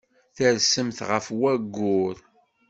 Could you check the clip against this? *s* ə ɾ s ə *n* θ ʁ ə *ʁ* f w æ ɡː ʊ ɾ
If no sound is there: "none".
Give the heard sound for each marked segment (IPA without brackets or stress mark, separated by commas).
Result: θ, m, none